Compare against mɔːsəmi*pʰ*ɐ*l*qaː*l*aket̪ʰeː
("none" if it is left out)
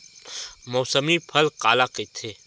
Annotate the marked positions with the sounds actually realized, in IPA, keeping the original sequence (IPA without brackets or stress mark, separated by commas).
pʰ, l, l